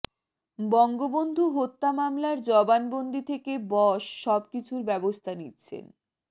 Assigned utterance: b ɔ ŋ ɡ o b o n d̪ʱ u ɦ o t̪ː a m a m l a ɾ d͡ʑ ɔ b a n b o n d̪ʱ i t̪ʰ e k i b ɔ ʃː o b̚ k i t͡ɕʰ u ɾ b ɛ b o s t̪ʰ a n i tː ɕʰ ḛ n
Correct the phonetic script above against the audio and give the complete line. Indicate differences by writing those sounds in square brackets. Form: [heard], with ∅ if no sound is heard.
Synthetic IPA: b ɔ ŋ ɡ o b o n d̪ʱ u ɦ o t̪ː a m a m l a ɾ d͡ʑ ɔ b a n b o n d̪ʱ i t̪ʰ e k [e] b ɔ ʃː [ɔ] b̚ k i t͡ɕʰ u ɾ b ɛ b o s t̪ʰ a n i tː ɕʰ ḛ n